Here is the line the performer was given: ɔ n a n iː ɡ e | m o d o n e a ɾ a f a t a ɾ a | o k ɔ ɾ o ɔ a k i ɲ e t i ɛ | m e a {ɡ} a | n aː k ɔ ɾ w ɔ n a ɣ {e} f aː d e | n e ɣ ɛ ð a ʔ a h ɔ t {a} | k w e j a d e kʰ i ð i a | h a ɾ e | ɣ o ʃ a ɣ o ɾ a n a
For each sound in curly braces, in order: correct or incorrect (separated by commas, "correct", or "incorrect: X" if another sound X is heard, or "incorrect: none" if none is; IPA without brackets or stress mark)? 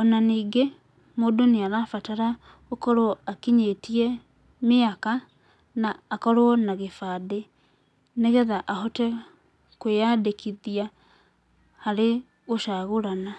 incorrect: k, correct, incorrect: ɛ